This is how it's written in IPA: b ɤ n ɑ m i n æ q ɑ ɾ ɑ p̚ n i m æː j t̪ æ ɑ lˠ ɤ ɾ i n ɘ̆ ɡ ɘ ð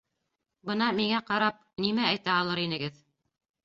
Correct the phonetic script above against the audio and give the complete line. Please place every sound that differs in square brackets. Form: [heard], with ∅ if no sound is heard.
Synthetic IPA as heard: b ɤ n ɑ m i [ŋ] æ q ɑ ɾ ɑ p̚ n i m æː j t̪ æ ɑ lˠ ɤ ɾ i n ɘ̆ ɡ ɘ ð